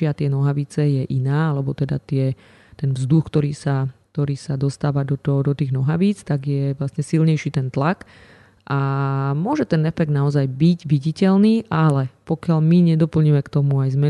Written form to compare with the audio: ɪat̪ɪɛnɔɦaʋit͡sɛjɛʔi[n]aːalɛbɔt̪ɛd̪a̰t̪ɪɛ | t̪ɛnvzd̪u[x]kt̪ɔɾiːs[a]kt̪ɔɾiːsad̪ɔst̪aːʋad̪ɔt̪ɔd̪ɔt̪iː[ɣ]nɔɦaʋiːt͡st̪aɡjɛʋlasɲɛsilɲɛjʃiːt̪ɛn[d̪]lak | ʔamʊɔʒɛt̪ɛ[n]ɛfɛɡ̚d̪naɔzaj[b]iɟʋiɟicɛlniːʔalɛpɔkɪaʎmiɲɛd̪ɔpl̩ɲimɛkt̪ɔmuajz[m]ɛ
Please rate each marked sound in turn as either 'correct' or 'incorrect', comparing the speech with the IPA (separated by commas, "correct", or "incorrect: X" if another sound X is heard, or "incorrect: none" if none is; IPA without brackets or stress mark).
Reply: correct, correct, correct, correct, incorrect: t̪, correct, correct, correct